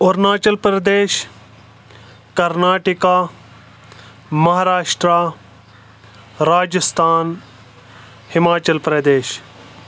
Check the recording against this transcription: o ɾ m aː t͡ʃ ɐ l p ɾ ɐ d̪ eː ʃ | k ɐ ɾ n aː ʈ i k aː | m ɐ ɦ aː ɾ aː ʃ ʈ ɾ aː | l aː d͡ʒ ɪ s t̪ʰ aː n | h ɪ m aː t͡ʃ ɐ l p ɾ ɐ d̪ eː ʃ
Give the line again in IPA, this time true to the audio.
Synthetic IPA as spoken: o ɾ n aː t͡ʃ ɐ l p ɾ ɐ d̪ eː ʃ | k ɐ ɾ n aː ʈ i k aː | m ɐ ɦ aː ɾ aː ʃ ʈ ɾ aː | ɾ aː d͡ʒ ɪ s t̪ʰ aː n | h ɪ m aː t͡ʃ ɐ l p ɾ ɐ d̪ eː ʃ